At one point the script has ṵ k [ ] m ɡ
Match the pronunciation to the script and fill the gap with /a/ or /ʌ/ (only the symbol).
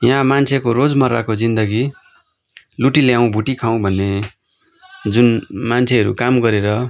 a